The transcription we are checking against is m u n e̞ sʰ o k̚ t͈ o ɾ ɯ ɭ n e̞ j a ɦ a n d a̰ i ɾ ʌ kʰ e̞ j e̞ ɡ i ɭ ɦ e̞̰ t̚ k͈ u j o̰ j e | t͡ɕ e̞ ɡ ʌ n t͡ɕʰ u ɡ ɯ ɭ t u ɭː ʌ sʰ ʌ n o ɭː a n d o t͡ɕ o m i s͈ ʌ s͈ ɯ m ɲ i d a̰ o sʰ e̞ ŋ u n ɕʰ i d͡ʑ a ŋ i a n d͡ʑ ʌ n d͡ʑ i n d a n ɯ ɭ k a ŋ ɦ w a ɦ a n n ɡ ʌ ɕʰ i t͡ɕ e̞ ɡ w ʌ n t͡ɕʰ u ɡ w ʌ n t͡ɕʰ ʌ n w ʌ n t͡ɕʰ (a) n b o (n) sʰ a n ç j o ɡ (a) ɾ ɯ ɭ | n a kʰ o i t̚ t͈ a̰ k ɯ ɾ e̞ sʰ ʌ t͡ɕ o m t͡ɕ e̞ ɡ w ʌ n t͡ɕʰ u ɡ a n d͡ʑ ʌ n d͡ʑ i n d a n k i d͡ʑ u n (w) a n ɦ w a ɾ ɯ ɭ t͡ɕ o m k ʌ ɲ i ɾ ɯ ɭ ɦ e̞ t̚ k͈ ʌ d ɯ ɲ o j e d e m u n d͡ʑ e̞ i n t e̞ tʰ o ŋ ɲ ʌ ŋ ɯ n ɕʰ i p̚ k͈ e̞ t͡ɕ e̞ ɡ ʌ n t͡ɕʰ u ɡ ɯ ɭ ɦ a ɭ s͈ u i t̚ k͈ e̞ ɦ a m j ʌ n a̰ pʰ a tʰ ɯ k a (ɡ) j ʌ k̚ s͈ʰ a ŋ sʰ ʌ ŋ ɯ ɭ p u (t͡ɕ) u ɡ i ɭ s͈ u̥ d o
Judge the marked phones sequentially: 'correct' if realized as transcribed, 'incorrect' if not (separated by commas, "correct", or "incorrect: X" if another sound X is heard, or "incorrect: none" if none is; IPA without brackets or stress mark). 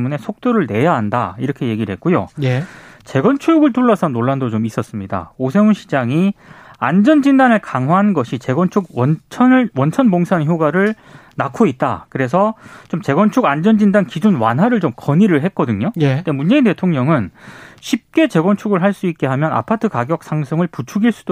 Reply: incorrect: ʌ, incorrect: ŋ, correct, correct, correct, incorrect: t͡ɕʰ